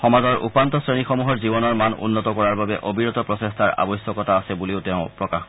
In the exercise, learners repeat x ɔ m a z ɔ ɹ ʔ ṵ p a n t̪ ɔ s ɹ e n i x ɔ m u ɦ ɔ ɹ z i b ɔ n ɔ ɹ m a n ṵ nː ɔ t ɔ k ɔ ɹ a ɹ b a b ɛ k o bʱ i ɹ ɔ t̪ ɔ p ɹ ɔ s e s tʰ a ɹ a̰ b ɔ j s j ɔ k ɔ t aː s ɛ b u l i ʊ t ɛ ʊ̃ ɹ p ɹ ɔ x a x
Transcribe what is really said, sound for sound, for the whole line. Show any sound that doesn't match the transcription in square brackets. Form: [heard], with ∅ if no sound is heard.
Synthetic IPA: x ɔ m a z ɔ ɹ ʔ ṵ p a n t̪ ɔ s ɹ e n i x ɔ m u ɦ ɔ ɹ z i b ɔ n ɔ ɹ m a n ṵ nː ɔ t ɔ k ɔ ɹ a ɹ b a b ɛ [ʔ] o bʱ i ɹ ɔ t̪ ɔ p ɹ ɔ s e s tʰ a ɹ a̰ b ɔ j s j ɔ k ɔ t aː s ɛ b u l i ʊ t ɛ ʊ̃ [∅] p ɹ ɔ [k] a x